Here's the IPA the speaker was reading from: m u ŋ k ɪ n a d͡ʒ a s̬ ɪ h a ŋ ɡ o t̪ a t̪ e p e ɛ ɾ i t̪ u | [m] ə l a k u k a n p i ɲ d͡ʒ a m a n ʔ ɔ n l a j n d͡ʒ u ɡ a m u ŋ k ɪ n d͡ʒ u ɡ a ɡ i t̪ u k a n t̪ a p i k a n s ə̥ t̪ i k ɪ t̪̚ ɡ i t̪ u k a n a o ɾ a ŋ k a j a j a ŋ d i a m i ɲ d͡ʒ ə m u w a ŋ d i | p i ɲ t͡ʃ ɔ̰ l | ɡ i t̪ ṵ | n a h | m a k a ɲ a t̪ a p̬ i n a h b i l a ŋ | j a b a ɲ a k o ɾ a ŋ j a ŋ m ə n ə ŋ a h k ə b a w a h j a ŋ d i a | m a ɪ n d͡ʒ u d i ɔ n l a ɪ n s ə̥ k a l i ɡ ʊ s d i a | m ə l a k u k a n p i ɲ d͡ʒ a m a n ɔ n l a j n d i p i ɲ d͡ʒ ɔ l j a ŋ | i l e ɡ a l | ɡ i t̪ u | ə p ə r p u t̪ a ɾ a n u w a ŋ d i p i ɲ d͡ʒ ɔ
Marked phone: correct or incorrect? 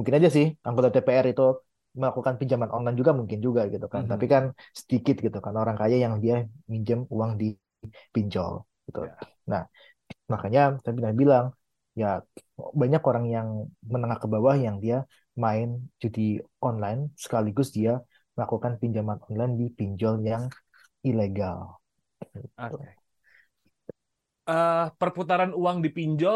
correct